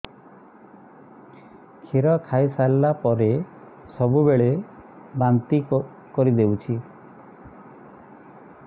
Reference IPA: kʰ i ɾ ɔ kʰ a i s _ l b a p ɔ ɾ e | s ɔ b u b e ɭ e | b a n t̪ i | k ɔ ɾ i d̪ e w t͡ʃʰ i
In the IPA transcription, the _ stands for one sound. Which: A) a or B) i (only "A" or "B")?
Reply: A